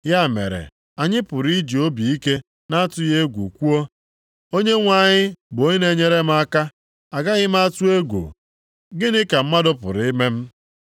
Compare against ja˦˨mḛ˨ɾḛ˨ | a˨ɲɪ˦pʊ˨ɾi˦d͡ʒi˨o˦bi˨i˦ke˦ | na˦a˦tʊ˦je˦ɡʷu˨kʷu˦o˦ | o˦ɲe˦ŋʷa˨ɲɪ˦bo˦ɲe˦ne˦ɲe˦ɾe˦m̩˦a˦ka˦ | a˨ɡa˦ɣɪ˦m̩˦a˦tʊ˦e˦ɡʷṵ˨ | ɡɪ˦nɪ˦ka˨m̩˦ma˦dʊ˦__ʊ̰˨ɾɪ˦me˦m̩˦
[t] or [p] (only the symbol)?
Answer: p